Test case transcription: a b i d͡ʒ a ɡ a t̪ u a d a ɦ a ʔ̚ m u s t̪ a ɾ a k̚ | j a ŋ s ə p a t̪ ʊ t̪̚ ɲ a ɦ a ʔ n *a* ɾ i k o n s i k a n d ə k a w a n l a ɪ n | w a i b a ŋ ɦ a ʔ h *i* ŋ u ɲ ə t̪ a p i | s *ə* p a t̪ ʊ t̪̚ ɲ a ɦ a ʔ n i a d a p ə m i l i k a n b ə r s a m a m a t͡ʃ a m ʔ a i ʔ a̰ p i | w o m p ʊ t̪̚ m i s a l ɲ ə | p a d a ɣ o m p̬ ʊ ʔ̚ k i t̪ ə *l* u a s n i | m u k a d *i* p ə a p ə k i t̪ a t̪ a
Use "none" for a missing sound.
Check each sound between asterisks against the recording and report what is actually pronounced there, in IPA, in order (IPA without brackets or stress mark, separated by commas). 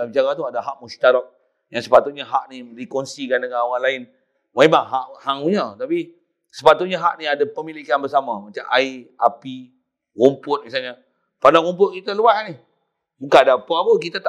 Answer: i, a, ə, l, a